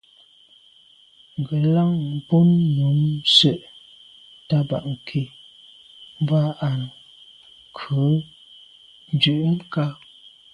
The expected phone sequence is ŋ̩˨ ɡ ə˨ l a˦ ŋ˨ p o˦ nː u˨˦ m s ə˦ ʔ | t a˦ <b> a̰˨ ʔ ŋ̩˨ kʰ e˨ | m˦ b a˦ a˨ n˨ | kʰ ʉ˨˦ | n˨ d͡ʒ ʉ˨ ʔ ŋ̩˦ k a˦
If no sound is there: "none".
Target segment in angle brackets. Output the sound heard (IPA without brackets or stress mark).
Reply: b